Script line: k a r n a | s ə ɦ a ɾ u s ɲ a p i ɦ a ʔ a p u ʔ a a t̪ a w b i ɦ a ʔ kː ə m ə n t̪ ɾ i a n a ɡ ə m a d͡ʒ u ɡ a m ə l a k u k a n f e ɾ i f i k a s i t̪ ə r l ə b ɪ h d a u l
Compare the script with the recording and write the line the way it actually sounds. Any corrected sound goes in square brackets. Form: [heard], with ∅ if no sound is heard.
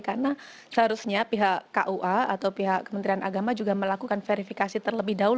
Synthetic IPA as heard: k a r n a | s ə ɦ a ɾ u s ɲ a p i ɦ a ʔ a [ʔ] u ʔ a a t̪ a w [p] i ɦ a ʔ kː ə m ə n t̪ ɾ i a n a ɡ [a] m a d͡ʒ u ɡ a m ə l a k u k a n f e ɾ i f i k a s i t̪ ə r l ə b ɪ h d a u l